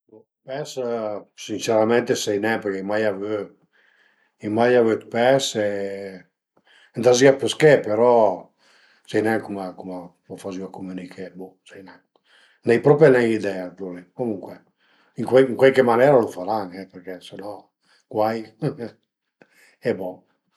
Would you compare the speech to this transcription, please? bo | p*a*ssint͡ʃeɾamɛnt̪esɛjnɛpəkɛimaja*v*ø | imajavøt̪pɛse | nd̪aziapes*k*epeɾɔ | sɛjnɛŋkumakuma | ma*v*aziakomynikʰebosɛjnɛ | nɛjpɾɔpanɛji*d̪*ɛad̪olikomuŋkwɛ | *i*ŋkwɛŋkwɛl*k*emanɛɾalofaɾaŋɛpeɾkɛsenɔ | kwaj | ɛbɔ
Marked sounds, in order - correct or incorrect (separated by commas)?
incorrect, correct, correct, incorrect, correct, correct, correct